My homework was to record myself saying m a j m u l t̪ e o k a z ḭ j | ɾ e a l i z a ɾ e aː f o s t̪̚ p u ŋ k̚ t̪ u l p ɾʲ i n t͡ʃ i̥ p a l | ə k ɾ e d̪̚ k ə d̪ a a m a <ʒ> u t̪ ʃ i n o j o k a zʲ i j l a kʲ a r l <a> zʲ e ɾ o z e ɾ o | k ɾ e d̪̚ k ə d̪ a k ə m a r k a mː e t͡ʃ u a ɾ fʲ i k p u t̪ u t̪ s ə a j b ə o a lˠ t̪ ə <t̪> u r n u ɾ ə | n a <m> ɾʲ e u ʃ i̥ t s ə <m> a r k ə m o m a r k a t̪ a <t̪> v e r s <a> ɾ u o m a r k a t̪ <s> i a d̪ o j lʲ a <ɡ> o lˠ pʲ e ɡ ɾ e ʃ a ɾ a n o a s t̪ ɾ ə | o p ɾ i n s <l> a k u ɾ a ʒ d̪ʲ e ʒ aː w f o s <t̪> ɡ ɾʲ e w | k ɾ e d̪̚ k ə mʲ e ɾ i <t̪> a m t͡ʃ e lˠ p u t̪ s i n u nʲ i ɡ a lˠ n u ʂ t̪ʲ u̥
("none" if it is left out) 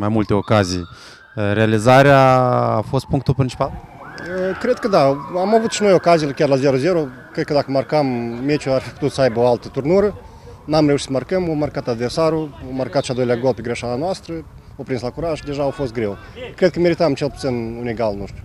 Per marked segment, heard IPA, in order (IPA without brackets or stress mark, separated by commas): v, a, t̪, m, m, d̪, a, ʃ, ɡ, l, t̪, t̪